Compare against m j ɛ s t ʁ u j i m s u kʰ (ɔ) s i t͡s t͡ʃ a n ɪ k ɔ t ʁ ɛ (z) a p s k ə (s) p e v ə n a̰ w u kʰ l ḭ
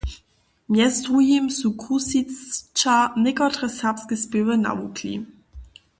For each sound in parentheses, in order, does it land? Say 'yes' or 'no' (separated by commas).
no, no, yes